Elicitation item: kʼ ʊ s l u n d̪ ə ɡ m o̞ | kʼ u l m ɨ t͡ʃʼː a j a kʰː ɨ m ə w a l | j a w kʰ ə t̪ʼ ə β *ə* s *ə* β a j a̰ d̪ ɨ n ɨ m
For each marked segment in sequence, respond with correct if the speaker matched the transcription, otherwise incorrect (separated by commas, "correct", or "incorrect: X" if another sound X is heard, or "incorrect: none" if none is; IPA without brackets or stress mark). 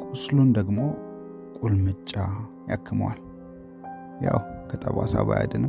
incorrect: a, incorrect: a